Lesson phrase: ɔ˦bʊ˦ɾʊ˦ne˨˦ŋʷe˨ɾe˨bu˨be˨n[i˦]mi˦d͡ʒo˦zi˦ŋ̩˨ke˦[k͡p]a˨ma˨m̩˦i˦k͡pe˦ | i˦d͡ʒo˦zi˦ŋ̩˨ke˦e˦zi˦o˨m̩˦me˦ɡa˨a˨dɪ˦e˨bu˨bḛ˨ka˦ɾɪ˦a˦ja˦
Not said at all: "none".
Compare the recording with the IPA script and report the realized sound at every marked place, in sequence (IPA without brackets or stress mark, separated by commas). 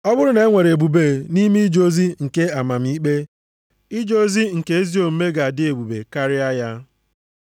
i˦, none